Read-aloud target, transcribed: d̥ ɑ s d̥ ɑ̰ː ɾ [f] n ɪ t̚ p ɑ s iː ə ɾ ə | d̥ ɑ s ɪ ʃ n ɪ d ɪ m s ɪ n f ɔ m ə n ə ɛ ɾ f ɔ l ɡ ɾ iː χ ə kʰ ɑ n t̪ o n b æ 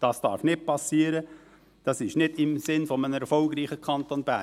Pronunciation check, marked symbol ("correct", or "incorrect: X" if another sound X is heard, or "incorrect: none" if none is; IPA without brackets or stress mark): correct